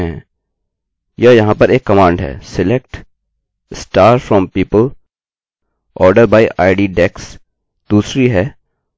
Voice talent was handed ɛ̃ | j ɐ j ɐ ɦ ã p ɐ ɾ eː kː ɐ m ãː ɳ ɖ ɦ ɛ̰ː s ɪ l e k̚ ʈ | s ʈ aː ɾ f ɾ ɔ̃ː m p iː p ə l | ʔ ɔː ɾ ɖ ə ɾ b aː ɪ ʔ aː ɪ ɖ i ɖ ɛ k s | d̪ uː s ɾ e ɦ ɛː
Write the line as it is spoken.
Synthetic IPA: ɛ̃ | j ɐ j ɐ ɦ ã p ɐ ɾ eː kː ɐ m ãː ɳ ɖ ɦ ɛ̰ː s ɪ l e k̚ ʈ | s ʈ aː ɾ f ɾ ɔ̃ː m p iː p ə l | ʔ ɔː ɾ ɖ ə ɾ b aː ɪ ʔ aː ɪ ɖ i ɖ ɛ k s | d̪ uː s ɾ i ɦ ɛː

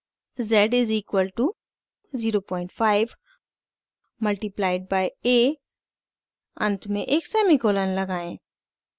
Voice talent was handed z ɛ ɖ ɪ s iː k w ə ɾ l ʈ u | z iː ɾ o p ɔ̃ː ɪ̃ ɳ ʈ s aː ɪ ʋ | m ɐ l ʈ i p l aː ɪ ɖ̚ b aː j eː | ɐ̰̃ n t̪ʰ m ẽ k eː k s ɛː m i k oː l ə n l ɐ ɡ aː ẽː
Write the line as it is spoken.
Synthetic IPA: z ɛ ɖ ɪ z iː k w ə l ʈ u | z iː ɾ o p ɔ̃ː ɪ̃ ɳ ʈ f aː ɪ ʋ | m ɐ l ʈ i p l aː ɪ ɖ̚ b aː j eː | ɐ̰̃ n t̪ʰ m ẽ ʔ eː k s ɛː m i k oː l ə n l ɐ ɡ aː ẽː

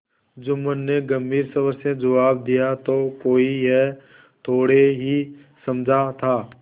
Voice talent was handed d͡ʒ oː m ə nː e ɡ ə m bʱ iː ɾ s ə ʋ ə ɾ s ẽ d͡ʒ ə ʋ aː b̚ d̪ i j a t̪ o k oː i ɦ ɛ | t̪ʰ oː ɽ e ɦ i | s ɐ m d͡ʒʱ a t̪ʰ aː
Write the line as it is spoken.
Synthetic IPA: d͡ʒ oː m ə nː e ɡ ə m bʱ iː ɾ s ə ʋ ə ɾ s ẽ d͡ʒ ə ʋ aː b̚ d̪ i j a t̪ o k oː i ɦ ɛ | t̪ʰ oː ɽ e ɦ i | s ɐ m d͡ʒʱ a t̪ʰ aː

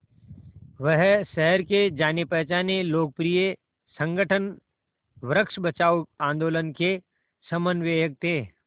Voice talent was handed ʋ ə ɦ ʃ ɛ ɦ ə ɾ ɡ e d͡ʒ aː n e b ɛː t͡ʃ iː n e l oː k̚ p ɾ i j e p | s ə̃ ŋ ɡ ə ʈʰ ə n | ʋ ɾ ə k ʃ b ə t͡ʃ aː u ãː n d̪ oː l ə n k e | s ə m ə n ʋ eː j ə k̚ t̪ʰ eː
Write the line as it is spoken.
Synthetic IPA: ʋ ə ɦ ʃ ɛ ɦ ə ɾ k e d͡ʒ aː n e p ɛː t͡ʃ aː n e l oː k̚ p ɾ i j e | s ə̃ ŋ ɡ ə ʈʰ ə n | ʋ ɾ ə k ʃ b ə t͡ʃ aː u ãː n d̪ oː l ə n k e | s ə m ə n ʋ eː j ə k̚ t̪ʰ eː

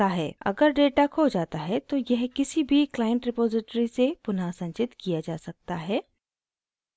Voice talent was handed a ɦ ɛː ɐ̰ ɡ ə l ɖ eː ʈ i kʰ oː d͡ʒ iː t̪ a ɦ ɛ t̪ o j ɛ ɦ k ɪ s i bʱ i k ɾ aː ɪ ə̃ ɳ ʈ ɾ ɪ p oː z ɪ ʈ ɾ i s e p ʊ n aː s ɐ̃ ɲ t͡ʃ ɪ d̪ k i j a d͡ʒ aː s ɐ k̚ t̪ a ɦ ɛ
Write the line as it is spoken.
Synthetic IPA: a ɦ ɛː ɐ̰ ɡ ə ɾ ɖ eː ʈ a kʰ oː d͡ʒ aː t̪ a ɦ ɛ t̪ o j ɛ ɦ k ɪ s i bʱ i k l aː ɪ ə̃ ɳ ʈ ɾ ɪ p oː z ɪ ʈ ɾ i s e p ʊ n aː s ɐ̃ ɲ t͡ʃ ɪ t̪ k i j a d͡ʒ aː s ɐ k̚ t̪ a ɦ ɛː

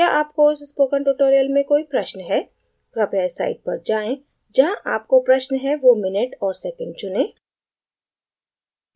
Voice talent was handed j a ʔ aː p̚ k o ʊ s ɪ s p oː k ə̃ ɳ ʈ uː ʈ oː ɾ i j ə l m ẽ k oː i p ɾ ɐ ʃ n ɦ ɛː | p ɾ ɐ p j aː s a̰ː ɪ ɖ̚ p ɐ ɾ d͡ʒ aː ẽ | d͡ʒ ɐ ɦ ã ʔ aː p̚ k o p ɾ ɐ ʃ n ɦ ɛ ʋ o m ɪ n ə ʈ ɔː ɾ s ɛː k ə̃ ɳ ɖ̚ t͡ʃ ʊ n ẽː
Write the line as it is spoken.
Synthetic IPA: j a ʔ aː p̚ k o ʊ s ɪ s p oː k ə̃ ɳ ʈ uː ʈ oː ɾ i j ə l m ẽ k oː i p ɾ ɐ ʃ n ɦ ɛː | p ɾ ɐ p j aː s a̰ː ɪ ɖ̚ p ɐ ɾ d͡ʒ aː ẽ | d͡ʒ ɐ ɦ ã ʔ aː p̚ k o p ɾ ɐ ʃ n ɦ ɛ ʋ o m ɪ n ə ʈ ɔː ɾ s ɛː k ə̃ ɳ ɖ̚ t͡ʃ ʊ n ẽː

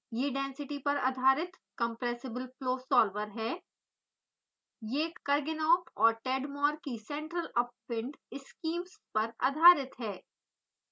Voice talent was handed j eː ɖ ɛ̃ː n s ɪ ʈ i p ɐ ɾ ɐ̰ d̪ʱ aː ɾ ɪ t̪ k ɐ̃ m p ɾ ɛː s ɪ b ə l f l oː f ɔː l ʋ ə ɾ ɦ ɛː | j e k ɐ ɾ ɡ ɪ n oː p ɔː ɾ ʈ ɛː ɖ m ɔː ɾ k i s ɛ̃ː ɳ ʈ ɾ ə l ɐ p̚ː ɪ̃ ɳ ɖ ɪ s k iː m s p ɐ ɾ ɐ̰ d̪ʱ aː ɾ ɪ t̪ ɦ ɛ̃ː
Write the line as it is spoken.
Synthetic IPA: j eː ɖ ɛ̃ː n s ɪ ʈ i p ɐ ɾ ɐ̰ d̪ʱ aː ɾ ɪ t̪ k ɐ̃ m p ɾ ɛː s ɪ b ə l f l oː s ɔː l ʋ ə ɾ ɦ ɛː | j e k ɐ ɾ ɡ ɪ n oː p ɔː ɾ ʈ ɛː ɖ m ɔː ɾ k i s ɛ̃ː ɳ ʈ ɾ ə l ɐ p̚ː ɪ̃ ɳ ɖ ɪ s k iː m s p ɐ ɾ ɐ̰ d̪ʱ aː ɾ ɪ t̪ ɦ ɛː

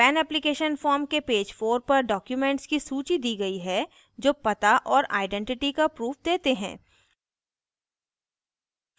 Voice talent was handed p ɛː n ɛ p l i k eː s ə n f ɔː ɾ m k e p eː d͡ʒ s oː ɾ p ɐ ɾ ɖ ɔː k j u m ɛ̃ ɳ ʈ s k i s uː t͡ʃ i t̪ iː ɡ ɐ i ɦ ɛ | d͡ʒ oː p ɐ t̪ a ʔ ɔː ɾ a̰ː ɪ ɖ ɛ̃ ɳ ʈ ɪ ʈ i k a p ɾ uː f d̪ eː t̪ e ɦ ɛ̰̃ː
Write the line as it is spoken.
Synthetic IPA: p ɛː n ɛ p l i k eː ʃ ə n f ɔː ɾ m k e p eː d͡ʒ f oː ɾ p ɐ ɾ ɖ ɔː k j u m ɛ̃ ɳ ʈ s k i s uː t͡ʃ i d̪ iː ɡ ɐ i ɦ ɛ | d͡ʒ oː p ɐ t̪ a ʔ ɔː ɾ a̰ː ɪ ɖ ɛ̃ ɳ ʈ ɪ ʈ i k a p ɾ uː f d̪ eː t̪ e ɦ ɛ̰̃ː

